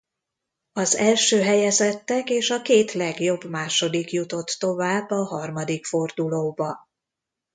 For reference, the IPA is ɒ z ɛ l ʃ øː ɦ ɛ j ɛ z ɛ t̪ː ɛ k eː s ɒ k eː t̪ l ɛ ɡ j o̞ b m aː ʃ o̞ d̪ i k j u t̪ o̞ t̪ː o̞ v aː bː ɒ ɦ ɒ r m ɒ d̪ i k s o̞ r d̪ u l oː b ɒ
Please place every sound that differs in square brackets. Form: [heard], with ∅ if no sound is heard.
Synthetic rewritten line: ɒ z ɛ l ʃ øː ɦ ɛ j ɛ z ɛ t̪ː ɛ k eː [ʃ] ɒ k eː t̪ l ɛ ɡ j o̞ b m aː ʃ o̞ d̪ i k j u t̪ o̞ t̪ː o̞ v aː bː ɒ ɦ ɒ r m ɒ d̪ i k [f] o̞ r d̪ u l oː b ɒ

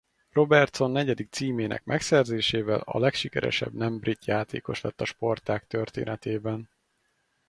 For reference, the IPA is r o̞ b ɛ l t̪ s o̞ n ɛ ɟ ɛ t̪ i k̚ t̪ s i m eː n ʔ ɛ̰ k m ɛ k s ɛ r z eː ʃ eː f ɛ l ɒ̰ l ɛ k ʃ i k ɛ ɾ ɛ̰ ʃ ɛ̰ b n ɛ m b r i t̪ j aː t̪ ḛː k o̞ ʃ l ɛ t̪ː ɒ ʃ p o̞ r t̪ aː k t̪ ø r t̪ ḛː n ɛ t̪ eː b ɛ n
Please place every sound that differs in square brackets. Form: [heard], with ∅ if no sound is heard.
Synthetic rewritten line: r o̞ b ɛ [r] t̪ s o̞ [nː] ɛ ɟ ɛ [d̪] i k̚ t̪ s [iː] m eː n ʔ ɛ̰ k m ɛ k s ɛ r z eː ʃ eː [v] ɛ l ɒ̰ l ɛ k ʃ i k ɛ ɾ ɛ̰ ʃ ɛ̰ b n ɛ m b r i t̪ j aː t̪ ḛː k o̞ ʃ l ɛ t̪ː ɒ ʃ p o̞ r t̪ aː k t̪ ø r t̪ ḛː n ɛ t̪ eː b ɛ n

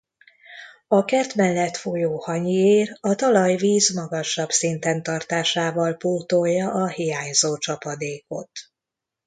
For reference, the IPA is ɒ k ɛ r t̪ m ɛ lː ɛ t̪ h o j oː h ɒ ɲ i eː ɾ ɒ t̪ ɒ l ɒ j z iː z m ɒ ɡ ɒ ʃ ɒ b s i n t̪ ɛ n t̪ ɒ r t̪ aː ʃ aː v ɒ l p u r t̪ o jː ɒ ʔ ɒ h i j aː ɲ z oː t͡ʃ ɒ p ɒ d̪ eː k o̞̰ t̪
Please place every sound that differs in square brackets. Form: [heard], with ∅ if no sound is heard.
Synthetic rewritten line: ɒ k ɛ r t̪ m ɛ lː ɛ t̪ [f] o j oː h ɒ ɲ i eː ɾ ɒ t̪ ɒ l ɒ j [v] iː z m ɒ ɡ ɒ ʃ ɒ b s i n t̪ ɛ n t̪ ɒ r t̪ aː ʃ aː v ɒ l p u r t̪ o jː ɒ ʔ ɒ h i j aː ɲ z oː t͡ʃ ɒ p ɒ d̪ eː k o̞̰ t̪

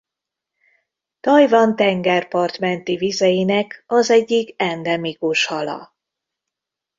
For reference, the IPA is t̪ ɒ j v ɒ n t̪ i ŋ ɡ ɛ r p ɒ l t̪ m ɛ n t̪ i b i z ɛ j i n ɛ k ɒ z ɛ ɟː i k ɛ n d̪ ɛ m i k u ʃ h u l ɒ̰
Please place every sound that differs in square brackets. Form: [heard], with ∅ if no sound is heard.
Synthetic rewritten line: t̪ ɒ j v ɒ n t̪ [ɛ] ŋ ɡ ɛ r p ɒ [r] t̪ m ɛ n t̪ i [v] i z ɛ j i n ɛ k ɒ z ɛ ɟː i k ɛ n d̪ ɛ m i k u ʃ h [ɒ] l ɒ̰

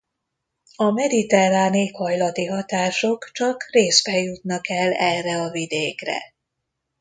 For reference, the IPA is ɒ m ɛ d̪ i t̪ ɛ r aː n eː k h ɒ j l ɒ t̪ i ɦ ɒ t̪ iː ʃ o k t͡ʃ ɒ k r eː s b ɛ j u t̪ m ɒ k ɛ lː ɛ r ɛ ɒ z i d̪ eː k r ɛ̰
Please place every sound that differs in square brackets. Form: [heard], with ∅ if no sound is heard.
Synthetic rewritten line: ɒ m ɛ d̪ i t̪ ɛ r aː n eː k h ɒ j l ɒ t̪ i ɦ ɒ t̪ [aː] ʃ o k t͡ʃ ɒ k r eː s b ɛ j u t̪ [n] ɒ k ɛ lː ɛ r ɛ ɒ [v] i d̪ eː k r ɛ̰

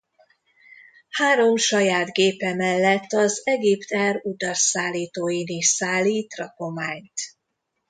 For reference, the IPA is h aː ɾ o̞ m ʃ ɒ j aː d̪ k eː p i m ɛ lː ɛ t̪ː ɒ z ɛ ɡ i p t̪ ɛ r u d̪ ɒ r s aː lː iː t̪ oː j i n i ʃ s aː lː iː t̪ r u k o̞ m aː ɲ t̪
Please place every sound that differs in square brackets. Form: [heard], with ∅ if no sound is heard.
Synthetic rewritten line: h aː ɾ o̞ m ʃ ɒ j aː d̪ [ɡ] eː p [ɛ] m ɛ lː ɛ t̪ː ɒ z ɛ ɡ i p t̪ ɛ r u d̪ ɒ r s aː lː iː t̪ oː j i n i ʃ s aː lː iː t̪ r [ɒ] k o̞ m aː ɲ t̪

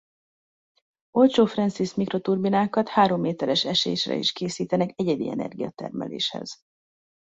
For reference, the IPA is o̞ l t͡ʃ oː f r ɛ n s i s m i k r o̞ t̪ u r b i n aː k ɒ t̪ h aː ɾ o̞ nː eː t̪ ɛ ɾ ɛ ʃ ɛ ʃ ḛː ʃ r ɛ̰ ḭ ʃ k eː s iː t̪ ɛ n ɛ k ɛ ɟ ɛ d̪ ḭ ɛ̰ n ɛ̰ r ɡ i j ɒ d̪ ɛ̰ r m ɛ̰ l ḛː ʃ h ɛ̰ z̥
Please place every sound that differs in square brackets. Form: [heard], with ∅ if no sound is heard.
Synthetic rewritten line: o̞ l t͡ʃ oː f r ɛ n s i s m i k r o̞ t̪ u r b i n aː k ɒ t̪ h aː ɾ o̞ [mː] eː t̪ ɛ ɾ ɛ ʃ ɛ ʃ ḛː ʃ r ɛ̰ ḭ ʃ k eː s iː t̪ ɛ n ɛ k ɛ ɟ ɛ d̪ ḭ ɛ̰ n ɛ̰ r ɡ i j ɒ [t̪] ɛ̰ r m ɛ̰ l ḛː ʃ h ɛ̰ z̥

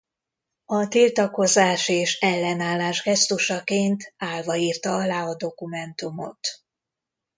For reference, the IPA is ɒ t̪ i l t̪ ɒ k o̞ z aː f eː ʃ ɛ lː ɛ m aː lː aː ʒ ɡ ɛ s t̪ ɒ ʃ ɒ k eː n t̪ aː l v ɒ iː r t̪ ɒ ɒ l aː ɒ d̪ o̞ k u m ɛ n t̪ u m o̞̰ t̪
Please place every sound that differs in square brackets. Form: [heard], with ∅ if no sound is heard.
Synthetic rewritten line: ɒ t̪ i l t̪ ɒ k o̞ z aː [ʃ] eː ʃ ɛ lː ɛ [n] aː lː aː ʒ ɡ ɛ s t̪ [u] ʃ ɒ k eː n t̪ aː l v ɒ iː r t̪ ɒ ɒ l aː ɒ d̪ o̞ k u m ɛ n t̪ u m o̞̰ t̪

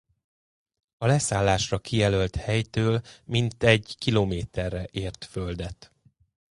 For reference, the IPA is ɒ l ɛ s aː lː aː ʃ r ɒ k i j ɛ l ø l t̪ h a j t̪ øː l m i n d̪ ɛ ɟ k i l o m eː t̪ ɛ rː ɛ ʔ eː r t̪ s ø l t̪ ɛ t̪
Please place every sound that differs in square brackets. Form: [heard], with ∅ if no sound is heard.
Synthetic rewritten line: ɒ l ɛ s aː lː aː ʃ r ɒ k i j ɛ l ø l t̪ h [ɛ] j t̪ øː l m i n [t̪] ɛ ɟ k i l o m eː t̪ ɛ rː ɛ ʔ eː r t̪ [f] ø l [d̪] ɛ t̪

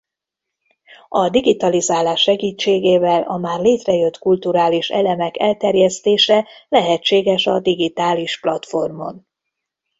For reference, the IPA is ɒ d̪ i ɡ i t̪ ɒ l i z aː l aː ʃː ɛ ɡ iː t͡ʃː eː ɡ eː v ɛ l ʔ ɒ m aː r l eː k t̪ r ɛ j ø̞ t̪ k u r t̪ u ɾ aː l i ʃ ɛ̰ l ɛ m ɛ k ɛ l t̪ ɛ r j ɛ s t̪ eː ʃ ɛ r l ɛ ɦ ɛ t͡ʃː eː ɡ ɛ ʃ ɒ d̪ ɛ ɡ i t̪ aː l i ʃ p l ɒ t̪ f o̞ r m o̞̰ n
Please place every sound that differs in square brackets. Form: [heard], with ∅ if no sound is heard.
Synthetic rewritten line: ɒ d̪ i ɡ i t̪ ɒ l i z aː l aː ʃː ɛ ɡ iː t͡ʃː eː ɡ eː v ɛ l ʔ ɒ m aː r l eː [∅] t̪ r ɛ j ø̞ t̪ k u [l] t̪ u ɾ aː l i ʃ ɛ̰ l ɛ m ɛ k ɛ l t̪ ɛ r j ɛ s t̪ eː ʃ ɛ [∅] l ɛ ɦ ɛ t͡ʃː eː ɡ ɛ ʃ ɒ d̪ [i] ɡ i t̪ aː l i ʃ p l ɒ t̪ f o̞ r m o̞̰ n

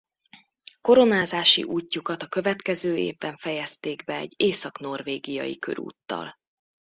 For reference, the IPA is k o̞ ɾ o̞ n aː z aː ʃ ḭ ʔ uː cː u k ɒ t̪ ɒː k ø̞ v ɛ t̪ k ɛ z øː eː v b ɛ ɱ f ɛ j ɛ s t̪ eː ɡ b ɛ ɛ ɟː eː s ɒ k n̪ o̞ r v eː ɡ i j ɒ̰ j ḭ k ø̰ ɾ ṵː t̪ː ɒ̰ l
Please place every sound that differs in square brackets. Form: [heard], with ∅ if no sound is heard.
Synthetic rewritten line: k o̞ ɾ o̞ n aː z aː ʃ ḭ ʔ uː cː u k ɒ t̪ [ɒ] k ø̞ v ɛ t̪ k ɛ z øː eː v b ɛ ɱ f ɛ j ɛ s t̪ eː ɡ b ɛ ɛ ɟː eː s ɒ k n̪ o̞ r v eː ɡ i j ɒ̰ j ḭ k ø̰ ɾ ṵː t̪ː ɒ̰ l

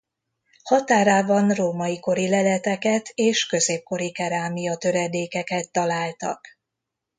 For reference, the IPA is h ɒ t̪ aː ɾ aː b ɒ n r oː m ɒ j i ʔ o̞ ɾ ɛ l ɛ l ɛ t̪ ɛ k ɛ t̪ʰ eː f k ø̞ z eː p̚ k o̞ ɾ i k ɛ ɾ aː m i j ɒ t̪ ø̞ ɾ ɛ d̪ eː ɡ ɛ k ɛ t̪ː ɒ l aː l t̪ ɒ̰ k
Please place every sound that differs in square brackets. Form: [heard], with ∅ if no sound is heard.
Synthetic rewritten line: h ɒ t̪ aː ɾ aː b ɒ n r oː m ɒ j i [k] o̞ ɾ [i] l ɛ l ɛ t̪ ɛ k ɛ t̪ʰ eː [ʃ] k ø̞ z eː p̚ k o̞ ɾ i k ɛ ɾ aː m i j ɒ t̪ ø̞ ɾ ɛ d̪ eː [k] ɛ k ɛ t̪ː ɒ l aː l t̪ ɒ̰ k

